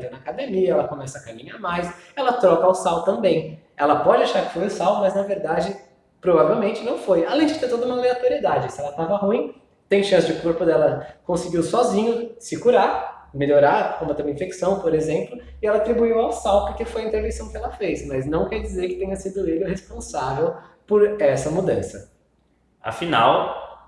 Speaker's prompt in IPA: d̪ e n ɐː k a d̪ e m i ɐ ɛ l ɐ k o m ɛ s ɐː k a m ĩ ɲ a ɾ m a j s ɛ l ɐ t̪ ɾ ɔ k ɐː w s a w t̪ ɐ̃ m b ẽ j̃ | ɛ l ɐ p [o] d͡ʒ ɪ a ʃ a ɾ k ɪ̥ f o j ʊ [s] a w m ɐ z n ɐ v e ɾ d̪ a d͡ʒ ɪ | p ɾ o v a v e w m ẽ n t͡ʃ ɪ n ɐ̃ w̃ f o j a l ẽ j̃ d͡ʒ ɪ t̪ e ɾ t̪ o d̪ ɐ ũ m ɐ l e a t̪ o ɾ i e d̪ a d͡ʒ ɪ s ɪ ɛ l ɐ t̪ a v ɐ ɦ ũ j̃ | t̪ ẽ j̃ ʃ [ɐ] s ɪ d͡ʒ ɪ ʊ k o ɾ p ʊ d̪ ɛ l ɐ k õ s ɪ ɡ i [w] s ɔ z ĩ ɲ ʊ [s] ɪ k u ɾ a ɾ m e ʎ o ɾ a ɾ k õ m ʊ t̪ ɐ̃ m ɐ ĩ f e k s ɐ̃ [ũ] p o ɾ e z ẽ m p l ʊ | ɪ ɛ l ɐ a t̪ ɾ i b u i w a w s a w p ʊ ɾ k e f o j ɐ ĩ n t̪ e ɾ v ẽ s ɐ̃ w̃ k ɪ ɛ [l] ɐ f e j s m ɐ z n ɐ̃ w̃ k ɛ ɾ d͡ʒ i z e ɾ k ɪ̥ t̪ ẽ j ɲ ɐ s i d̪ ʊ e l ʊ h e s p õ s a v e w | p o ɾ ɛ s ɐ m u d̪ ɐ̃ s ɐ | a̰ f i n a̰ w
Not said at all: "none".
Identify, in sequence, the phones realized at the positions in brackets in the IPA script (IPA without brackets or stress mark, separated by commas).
ɔ, s, ɐ̃, w, s, w̃, l